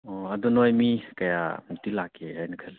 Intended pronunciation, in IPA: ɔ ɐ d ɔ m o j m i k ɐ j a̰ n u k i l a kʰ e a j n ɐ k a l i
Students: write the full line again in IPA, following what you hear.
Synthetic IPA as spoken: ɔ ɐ d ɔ n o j m i k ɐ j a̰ m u t i l a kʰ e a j n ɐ kʰ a l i